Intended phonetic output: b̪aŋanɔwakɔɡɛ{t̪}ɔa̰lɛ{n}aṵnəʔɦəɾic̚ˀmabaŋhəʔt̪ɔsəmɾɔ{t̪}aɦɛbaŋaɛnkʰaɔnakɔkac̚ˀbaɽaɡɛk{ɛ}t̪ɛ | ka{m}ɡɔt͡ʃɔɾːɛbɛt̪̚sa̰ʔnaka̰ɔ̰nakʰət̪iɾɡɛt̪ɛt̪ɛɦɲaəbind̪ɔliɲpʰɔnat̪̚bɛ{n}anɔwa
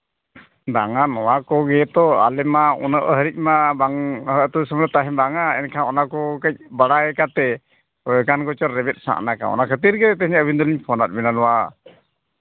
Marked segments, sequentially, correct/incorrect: correct, incorrect: m, correct, incorrect: a, incorrect: n, correct

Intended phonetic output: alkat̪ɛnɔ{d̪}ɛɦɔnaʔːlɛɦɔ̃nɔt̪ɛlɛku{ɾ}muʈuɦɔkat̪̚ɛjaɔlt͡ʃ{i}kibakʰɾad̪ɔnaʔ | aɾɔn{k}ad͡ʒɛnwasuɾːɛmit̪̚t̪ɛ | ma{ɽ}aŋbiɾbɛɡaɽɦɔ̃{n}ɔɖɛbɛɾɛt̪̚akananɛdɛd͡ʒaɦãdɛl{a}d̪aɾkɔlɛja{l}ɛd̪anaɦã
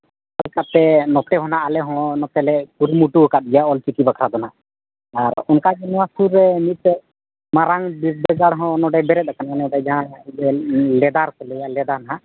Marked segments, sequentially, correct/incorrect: incorrect: t̪, correct, correct, correct, incorrect: ɾ, correct, incorrect: ɛ, correct

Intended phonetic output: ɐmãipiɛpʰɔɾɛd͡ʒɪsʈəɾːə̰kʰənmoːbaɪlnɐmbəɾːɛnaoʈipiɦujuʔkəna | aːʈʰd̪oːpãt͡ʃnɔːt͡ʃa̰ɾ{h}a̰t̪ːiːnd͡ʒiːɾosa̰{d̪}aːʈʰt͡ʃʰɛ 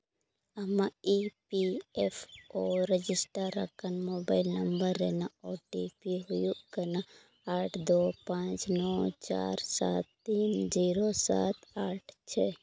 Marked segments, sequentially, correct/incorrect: incorrect: s, incorrect: t̪

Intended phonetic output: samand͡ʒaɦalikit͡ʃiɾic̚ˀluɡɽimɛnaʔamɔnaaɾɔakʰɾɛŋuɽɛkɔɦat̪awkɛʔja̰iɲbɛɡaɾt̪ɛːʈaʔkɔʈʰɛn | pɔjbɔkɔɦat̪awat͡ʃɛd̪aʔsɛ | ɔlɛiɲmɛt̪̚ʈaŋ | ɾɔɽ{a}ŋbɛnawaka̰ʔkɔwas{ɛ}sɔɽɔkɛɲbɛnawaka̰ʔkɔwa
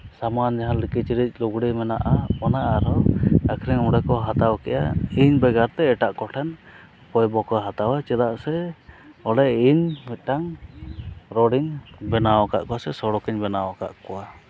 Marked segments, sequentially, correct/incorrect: incorrect: i, correct

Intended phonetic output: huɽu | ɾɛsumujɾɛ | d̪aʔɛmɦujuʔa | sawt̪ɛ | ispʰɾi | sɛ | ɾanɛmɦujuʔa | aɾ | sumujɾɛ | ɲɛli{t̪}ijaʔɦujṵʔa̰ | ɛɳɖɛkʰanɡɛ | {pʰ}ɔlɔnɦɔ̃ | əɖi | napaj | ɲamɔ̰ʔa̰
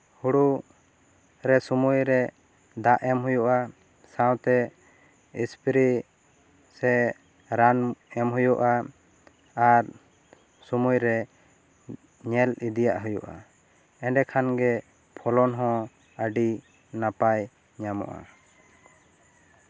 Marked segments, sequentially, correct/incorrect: incorrect: d̪, correct

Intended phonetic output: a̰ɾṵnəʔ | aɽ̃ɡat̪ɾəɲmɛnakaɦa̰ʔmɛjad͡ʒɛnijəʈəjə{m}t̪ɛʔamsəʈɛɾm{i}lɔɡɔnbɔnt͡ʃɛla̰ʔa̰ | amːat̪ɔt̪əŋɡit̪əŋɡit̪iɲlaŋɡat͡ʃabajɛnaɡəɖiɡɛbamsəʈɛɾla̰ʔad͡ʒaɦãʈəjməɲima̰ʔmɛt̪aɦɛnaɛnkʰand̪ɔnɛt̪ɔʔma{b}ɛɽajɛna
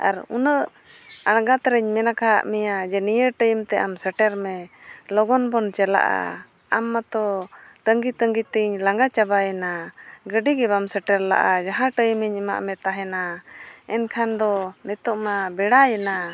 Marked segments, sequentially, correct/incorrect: correct, incorrect: ɛ, correct

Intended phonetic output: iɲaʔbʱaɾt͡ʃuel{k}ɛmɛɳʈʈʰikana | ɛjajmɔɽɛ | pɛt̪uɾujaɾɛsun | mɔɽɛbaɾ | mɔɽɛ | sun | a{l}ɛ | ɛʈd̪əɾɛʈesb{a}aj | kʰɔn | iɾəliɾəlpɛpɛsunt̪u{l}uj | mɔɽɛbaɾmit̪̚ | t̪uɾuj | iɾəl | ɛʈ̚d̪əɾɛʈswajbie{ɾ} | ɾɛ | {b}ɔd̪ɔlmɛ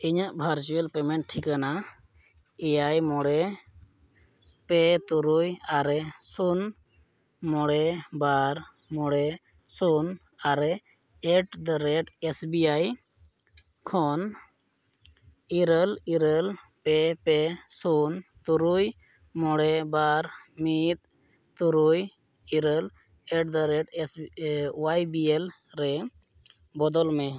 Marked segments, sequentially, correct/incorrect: incorrect: p, incorrect: ɾ, incorrect: i, incorrect: ɾ, incorrect: l, correct

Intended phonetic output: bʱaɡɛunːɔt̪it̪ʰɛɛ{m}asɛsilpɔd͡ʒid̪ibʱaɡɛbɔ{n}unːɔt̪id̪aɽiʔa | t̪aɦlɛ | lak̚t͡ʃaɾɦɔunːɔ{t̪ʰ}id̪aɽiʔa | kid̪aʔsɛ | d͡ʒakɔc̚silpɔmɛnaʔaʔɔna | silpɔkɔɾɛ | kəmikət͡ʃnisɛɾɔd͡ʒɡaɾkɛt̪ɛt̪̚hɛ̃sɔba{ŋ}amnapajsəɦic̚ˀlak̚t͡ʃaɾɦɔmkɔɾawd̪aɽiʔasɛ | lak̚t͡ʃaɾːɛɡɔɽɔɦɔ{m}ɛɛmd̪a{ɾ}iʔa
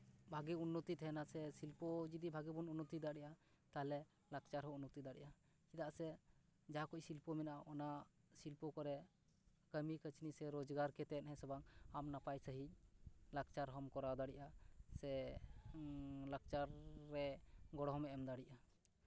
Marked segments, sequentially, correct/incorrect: incorrect: n, correct, incorrect: t̪, correct, correct, incorrect: ɽ

